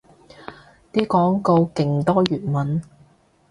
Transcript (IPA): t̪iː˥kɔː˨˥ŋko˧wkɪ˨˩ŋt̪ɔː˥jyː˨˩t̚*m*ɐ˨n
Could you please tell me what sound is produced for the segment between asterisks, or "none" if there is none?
m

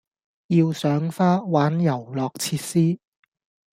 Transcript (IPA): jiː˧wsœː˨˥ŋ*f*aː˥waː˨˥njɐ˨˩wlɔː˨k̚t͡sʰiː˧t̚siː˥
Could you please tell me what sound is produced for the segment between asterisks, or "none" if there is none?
f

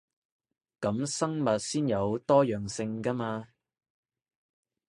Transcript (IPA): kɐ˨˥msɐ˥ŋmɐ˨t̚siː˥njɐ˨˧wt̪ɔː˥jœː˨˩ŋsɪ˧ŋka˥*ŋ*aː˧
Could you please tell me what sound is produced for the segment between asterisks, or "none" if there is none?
m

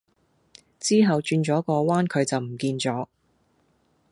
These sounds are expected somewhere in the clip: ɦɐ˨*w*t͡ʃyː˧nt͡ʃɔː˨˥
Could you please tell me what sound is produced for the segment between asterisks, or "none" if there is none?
w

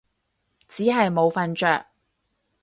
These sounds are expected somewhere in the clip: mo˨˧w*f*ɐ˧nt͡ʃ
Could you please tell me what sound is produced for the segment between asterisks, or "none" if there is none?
f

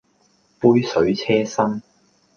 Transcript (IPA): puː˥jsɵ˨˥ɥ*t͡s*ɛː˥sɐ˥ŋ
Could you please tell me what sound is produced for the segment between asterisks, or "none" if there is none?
t͡sʰ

